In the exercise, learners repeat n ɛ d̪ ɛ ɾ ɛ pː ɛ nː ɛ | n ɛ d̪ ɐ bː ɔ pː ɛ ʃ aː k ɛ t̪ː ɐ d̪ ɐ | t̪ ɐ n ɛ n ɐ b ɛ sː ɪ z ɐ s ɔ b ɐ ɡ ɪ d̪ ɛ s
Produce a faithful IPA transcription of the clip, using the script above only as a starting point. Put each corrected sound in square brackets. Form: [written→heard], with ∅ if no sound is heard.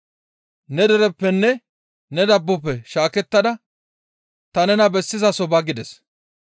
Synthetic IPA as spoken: n ɛ d̪ ɛ ɾ ɛ pː ɛ nː ɛ | n ɛ d̪ ɐ bː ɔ pː ɛ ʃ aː k ɛ t̪ː ɐ d̪ ɐ | t̪ ɐ n ɛ n ɐ b ɛ sː ɪ z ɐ s ɔ b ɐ ɡ ɪ d̪ ɛ s

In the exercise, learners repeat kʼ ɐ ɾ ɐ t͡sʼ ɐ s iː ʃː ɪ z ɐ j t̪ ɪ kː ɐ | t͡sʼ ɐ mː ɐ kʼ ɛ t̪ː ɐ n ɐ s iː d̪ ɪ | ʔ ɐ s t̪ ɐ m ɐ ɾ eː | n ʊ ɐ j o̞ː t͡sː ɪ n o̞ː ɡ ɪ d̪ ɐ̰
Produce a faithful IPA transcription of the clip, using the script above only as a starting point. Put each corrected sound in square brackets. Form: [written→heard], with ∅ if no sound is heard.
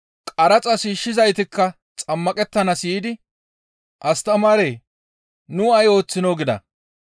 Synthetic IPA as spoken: kʼ ɐ ɾ ɐ t͡sʼ ɐ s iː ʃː ɪ z ɐ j t̪ ɪ kː ɐ | t͡sʼ ɐ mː ɐ kʼ ɛ t̪ː ɐ n ɐ s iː d̪ ɪ | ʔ ɐ s t̪ ɐ m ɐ ɾ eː | n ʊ ɐ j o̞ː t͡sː ɪ n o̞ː ɡ ɪ d̪ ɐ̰

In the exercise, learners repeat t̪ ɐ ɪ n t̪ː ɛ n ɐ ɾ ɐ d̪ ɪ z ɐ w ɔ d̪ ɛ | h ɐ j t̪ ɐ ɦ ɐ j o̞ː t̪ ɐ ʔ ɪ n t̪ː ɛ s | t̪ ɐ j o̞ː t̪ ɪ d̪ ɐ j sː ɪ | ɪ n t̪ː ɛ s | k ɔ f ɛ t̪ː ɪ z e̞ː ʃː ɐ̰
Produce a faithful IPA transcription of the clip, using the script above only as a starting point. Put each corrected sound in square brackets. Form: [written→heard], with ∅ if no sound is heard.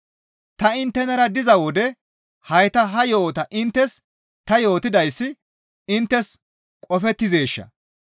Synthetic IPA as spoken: t̪ ɐ ɪ n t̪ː ɛ n ɐ ɾ ɐ d̪ ɪ z ɐ w ɔ d̪ ɛ | h ɐ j t̪ ɐ ɦ ɐ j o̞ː t̪ ɐ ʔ ɪ n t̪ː ɛ s | t̪ ɐ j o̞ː t̪ ɪ d̪ ɐ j sː ɪ | ɪ n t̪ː ɛ s | [k→kʼ] ɔ f ɛ t̪ː ɪ z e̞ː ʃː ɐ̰

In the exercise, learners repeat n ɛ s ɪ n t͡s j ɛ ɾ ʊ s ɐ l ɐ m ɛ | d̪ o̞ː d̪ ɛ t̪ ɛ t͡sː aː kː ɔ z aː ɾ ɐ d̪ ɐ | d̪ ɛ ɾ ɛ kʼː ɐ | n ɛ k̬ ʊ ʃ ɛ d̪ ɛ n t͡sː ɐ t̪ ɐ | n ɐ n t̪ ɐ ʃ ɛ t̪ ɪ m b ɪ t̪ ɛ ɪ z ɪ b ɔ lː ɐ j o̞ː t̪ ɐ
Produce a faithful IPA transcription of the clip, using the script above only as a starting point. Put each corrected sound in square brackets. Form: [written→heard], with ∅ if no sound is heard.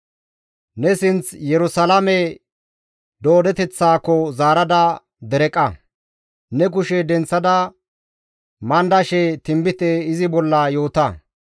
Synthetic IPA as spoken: n ɛ s ɪ n t͡s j ɛ ɾ ʊ s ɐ l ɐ m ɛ | d̪ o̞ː d̪ ɛ t̪ ɛ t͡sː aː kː ɔ z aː ɾ ɐ d̪ ɐ | d̪ ɛ ɾ ɛ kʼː ɐ | n ɛ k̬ ʊ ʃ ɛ d̪ ɛ n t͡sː ɐ [t̪→d̪] ɐ | [n→m] ɐ n [t̪→d̪] ɐ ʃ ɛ t̪ ɪ m b ɪ t̪ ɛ ɪ z ɪ b ɔ lː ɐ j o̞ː t̪ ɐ

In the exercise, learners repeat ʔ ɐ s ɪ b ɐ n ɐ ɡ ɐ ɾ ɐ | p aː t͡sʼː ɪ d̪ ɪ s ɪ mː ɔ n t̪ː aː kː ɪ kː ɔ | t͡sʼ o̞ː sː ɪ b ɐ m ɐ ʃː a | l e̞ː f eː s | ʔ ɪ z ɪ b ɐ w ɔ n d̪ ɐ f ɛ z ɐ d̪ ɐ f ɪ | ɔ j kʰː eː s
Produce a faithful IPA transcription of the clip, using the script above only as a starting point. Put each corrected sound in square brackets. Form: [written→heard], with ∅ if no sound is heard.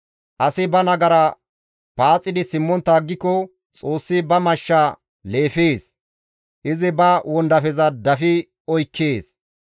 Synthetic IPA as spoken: ʔ ɐ s ɪ b ɐ n ɐ ɡ ɐ ɾ ɐ | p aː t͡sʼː ɪ d̪ ɪ s ɪ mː ɔ n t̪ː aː [kː→ɡː] ɪ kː ɔ | t͡sʼ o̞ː sː ɪ b ɐ m ɐ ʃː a | l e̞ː f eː s | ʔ ɪ z ɪ b ɐ w ɔ n d̪ ɐ f ɛ z ɐ d̪ ɐ f ɪ | ɔ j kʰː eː s

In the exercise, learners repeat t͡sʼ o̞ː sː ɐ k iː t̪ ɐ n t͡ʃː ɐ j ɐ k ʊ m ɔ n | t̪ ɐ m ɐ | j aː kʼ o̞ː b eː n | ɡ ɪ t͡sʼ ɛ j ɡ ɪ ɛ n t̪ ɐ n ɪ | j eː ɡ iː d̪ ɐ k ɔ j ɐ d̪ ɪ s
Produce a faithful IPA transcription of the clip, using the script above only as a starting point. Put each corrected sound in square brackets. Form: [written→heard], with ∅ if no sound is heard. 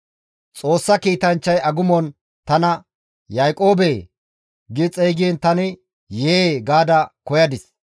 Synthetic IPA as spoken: t͡sʼ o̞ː sː ɐ k iː t̪ ɐ n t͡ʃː ɐ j ɐ [k→ɡ] ʊ m ɔ n | t̪ ɐ [m→n] ɐ | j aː kʼ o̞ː b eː [n→∅] | ɡ ɪ t͡sʼ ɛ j ɡ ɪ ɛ n t̪ ɐ n ɪ | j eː ɡ [iː→aː] d̪ ɐ k ɔ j ɐ d̪ ɪ s

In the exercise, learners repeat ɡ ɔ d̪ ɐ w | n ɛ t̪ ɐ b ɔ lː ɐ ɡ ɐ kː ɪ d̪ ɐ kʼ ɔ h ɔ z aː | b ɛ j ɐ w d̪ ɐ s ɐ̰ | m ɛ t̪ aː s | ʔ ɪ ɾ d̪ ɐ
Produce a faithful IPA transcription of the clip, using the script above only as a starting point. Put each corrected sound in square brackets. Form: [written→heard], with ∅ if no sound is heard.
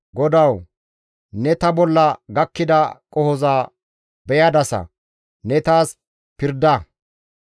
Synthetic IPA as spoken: ɡ ɔ d̪ ɐ w | n ɛ t̪ ɐ b ɔ lː ɐ ɡ ɐ kː ɪ d̪ ɐ kʼ ɔ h ɔ z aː | b ɛ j ɐ [w→∅] d̪ ɐ s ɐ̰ | [m→n] ɛ t̪ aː s | [ʔ→p] ɪ ɾ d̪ ɐ

